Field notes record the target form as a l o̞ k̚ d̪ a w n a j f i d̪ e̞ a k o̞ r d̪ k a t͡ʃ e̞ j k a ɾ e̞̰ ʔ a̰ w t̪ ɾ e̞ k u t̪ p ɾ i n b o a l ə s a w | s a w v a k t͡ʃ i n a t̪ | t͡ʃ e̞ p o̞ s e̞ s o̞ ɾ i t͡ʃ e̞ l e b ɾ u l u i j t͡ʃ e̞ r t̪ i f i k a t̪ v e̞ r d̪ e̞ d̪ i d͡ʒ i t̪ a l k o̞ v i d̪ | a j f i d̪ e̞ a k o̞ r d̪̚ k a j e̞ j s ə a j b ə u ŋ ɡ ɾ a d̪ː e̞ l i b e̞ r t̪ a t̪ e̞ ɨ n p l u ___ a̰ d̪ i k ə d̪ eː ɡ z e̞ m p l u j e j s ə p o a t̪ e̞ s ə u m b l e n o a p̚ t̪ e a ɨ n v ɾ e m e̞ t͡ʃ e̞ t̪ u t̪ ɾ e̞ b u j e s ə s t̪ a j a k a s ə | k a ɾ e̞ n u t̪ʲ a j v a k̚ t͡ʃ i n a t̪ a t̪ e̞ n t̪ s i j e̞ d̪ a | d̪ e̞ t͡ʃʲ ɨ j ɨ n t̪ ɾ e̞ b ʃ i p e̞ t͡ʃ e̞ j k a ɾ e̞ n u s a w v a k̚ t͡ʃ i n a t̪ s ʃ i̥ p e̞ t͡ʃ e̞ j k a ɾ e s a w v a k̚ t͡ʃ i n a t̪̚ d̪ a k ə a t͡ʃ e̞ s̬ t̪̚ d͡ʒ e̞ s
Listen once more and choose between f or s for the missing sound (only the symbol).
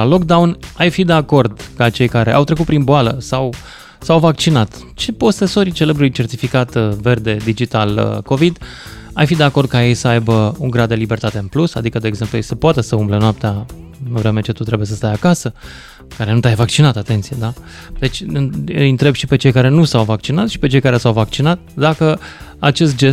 s